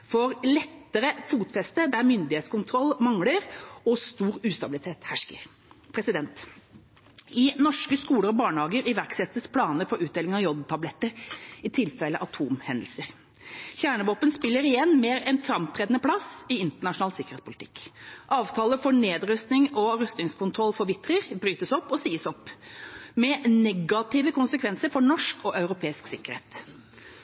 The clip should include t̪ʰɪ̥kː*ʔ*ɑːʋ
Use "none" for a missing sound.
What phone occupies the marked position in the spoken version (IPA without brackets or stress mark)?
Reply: ʔ